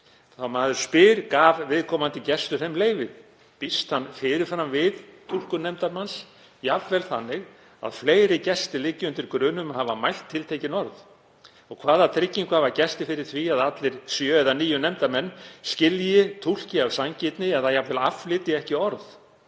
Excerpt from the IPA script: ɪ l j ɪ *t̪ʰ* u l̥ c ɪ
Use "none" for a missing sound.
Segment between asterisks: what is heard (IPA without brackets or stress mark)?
t̪ʰ